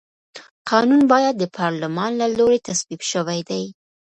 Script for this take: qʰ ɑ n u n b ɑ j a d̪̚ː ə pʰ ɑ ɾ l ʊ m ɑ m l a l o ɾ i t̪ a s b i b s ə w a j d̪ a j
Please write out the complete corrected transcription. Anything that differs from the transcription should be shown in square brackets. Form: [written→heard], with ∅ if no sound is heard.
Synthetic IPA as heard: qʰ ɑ n u n b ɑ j a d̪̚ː ə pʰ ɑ ɾ l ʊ m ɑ [m→n] l a l o ɾ [i→e] t̪ a s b i b [s→ʃ] ə w a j d̪ a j